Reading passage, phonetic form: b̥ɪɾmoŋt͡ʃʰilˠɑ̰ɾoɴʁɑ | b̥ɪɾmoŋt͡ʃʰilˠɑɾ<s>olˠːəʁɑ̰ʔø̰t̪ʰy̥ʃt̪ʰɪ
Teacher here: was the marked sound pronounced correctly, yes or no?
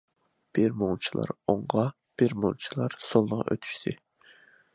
yes